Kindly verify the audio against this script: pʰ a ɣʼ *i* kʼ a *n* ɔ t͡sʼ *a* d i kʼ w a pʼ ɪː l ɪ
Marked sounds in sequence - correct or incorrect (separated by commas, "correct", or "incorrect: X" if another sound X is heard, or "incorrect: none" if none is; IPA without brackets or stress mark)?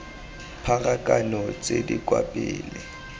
incorrect: a, correct, incorrect: e